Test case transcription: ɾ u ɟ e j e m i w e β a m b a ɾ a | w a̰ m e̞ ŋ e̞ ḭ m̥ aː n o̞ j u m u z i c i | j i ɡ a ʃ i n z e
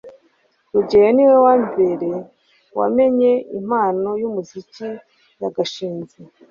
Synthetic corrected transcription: ɾ u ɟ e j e n i w e w a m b e ɾ e | w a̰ m e̞ ɲ e̞ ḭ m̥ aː n o̞ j u m u z i c i | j a ɡ a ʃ iː n z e

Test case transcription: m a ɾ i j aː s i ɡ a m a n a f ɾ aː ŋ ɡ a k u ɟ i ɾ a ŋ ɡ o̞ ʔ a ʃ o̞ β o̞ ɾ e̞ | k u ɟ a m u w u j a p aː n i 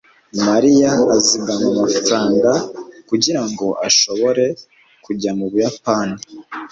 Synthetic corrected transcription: m a ɾ i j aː z i ɡ a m a m a f ɾ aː ŋ ɡ a k u ɟ i ɾ a ŋ ɡ o̞ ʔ a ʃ o̞ β o̞ ɾ e̞ | k u ɟ a m u β u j a p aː n i

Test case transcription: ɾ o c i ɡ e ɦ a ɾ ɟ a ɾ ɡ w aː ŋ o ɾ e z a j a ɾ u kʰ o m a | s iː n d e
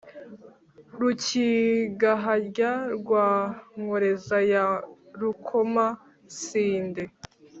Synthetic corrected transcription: ɾ u c i ɡ a ɦ a ɾ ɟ a ɾ ɡ w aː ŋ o ɾ e z a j a ɾ u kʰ o m a | s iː n d e

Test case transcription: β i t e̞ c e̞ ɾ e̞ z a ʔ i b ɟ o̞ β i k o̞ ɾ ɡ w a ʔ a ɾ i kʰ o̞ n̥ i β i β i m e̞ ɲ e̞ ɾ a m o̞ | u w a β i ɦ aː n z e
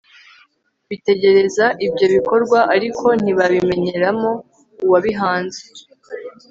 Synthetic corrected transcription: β i t e̞ ɟ e̞ ɾ e̞ z a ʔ i b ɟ o̞ β i k o̞ ɾ ɡ w a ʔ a ɾ i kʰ o̞ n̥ i β a β i m e̞ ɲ e̞ ɾ a m o̞ | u w a β i ɦ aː n z e

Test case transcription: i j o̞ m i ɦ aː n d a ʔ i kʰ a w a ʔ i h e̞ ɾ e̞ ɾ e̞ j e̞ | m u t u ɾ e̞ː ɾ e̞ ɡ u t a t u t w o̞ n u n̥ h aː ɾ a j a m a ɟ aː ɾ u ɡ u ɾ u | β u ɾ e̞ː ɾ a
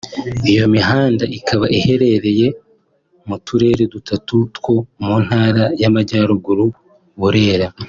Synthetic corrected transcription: i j o̞ m i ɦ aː n d a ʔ i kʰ a β a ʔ i h e̞ ɾ e̞ ɾ e̞ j e̞ | m u t u ɾ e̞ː ɾ e̞ d u t a t u t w o̞ m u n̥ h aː ɾ a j a m a ɟ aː ɾ u ɡ u ɾ u | β u ɾ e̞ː ɾ a

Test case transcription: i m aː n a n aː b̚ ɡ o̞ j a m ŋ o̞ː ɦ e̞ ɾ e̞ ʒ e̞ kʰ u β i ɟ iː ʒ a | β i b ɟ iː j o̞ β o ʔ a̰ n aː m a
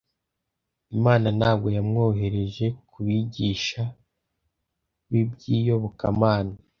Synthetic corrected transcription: i m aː n a n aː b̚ ɡ o̞ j a m ŋ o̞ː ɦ e̞ ɾ e̞ ʒ e̞ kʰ u β i ɟ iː ʃ a | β i b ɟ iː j o̞ β o k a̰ m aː n a

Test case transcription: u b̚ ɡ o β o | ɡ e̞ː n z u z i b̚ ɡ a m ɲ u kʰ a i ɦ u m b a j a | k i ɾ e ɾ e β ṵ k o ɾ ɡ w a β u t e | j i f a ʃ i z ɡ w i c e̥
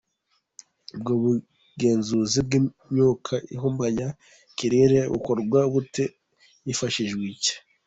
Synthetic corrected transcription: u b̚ ɡ o β u | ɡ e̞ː n z u z i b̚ ɡ i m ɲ u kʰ a i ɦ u m b a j a | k i ɾ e ɾ e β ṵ k o ɾ ɡ w a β u t e | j i f a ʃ i ʒ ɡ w i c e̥

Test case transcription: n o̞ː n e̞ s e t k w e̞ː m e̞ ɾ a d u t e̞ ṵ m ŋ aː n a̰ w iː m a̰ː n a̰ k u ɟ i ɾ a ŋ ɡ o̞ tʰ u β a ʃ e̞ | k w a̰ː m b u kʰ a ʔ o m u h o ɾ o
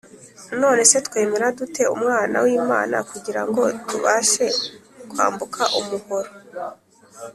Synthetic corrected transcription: n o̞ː n e̞ s e t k w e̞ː m e̞ ɾ a d u t e̞ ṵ m ŋ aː n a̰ w iː m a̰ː n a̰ k u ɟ i ɾ a ŋ ɡ o̞ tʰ u β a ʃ e̞ | k w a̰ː m b u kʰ a ʔ u m u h o ɾ o

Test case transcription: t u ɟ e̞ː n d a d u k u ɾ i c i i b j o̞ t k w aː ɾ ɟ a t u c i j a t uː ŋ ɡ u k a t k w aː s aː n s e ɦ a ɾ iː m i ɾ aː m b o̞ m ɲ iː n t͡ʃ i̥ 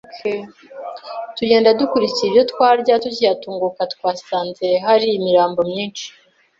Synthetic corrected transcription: t u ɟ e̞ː n d a d u k u ɾ i c i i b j o̞ t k w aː ɾ ɟ a t u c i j a t uː ŋ ɡ u k a t k w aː s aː n z e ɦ a ɾ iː m i ɾ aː m b o̞ m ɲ iː n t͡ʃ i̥

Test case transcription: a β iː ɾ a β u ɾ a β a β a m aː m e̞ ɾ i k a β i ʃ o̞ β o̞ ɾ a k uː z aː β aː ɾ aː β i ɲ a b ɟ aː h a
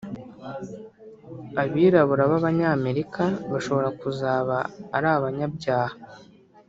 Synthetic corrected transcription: a β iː ɾ a β u ɾ a β a β a ɲ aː m e̞ ɾ i k a β a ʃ o̞ β o̞ ɾ a k u z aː β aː ɾ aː β a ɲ a b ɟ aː h a

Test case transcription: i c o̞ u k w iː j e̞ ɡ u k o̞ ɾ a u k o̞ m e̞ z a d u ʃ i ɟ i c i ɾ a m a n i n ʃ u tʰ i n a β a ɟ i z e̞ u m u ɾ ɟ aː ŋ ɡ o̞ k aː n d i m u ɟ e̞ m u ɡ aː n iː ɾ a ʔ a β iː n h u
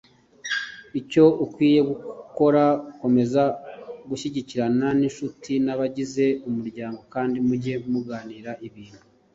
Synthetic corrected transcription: i c o̞ u k w iː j e̞ ɡ u k o̞ ɾ a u k o̞ m e̞ z a ɡ u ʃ i ɟ i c i ɾ a n a n i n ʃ u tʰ i n a β a ɟ i z e̞ u m u ɾ ɟ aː ŋ ɡ o̞ k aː n d i m u ɟ e̞ m u ɡ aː n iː ɾ a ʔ i β iː n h u

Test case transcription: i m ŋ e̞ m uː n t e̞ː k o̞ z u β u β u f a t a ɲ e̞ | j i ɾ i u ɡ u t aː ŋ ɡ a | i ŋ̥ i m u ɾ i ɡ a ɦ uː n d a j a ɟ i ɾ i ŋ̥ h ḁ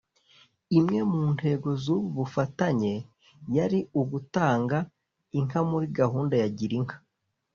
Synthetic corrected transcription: i m ŋ e̞ m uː n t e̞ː ɡ o̞ z u β u β u f a t a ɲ e̞ | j a ɾ i u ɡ u t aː ŋ ɡ a | i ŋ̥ a m u ɾ i ɡ a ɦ uː n d a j a ɟ i ɾ i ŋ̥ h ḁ

